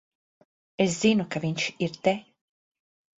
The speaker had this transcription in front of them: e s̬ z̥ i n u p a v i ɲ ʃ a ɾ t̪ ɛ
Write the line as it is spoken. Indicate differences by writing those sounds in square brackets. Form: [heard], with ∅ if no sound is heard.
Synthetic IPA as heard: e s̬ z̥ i n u [k] a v i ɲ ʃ [i] ɾ t̪ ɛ